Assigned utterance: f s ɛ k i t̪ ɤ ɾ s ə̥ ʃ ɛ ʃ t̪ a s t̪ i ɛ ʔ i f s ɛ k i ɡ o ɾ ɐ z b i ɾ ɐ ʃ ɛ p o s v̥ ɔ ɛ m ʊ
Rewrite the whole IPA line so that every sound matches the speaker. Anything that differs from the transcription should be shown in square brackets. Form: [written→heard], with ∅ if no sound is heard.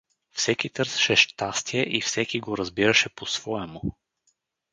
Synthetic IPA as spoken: f s ɛ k i t̪ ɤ ɾ s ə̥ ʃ ɛ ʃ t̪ a s t̪ i ɛ ʔ i f s ɛ k i ɡ o ɾ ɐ z b i ɾ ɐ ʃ ɛ p o s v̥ ɔ ɛ m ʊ